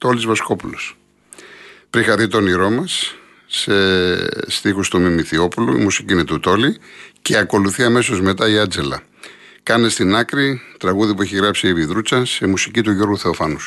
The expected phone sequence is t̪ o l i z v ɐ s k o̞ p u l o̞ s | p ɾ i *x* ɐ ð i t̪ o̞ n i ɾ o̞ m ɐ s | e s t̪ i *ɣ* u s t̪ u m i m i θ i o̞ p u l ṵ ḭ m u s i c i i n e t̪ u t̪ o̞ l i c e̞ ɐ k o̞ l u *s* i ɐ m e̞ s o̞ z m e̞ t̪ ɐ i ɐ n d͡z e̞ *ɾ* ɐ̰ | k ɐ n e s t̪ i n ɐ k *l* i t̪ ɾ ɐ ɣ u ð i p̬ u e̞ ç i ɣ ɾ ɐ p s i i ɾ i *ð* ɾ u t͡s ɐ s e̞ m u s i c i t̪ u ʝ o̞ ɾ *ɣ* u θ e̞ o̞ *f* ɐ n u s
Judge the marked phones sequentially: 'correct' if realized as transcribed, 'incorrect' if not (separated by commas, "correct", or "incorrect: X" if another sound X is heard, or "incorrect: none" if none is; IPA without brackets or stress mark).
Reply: correct, incorrect: x, incorrect: θ, incorrect: l, incorrect: ɾ, correct, correct, correct